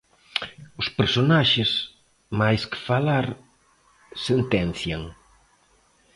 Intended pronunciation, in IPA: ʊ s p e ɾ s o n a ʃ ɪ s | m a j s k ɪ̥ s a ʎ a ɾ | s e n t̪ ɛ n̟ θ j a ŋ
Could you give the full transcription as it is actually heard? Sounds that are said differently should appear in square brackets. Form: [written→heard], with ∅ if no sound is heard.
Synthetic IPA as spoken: ʊ s p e ɾ s o n a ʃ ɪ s | m a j s k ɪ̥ [s→f] a [ʎ→l] a ɾ | s e n t̪ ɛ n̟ θ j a ŋ